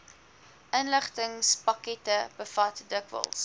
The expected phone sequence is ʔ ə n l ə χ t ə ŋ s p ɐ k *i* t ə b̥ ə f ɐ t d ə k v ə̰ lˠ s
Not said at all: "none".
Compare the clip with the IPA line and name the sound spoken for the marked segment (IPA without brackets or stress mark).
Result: ɛ